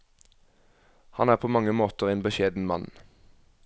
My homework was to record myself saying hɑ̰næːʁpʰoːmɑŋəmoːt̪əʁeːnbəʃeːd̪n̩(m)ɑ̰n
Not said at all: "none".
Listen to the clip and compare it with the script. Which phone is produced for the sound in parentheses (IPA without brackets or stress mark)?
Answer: m